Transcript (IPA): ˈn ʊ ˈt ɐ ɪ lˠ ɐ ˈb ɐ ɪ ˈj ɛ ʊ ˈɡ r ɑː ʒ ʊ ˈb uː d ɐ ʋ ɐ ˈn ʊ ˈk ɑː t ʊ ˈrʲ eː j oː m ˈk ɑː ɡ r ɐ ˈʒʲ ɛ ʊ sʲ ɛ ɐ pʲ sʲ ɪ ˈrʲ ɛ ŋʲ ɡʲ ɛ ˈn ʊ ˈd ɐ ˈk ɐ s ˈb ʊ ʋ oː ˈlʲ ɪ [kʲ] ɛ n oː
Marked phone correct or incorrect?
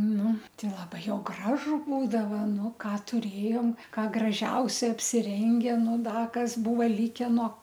correct